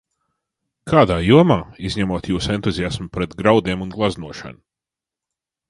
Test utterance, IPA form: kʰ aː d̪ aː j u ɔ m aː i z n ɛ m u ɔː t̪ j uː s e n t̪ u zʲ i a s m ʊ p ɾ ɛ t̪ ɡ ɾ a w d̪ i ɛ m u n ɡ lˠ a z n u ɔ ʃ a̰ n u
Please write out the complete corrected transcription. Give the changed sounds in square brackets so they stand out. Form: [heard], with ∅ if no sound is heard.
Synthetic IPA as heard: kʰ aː d̪ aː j u ɔ m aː i z [ɲ] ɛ m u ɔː t̪ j uː s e n t̪ u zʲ i a s m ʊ p ɾ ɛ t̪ ɡ ɾ a w d̪ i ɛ m u n ɡ lˠ a z n u ɔ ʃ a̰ n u